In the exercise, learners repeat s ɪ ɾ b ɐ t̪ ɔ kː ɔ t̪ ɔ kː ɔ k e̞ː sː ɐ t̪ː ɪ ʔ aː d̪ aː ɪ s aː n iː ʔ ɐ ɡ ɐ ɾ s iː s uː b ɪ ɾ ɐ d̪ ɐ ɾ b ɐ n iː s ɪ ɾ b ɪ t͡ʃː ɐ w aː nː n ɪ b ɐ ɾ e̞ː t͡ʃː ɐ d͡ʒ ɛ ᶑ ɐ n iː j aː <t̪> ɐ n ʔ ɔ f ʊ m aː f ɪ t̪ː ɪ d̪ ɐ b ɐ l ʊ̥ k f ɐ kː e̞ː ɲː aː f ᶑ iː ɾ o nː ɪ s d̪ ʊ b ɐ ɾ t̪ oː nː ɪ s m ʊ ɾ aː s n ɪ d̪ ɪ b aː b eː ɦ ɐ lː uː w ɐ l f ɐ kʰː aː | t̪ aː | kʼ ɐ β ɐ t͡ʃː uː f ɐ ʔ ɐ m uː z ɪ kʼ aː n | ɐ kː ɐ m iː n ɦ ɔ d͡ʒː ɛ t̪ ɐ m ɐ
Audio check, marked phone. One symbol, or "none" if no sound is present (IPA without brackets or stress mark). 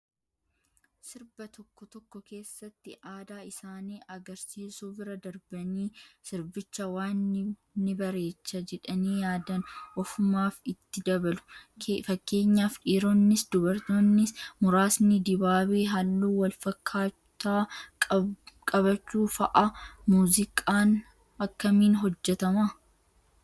d̪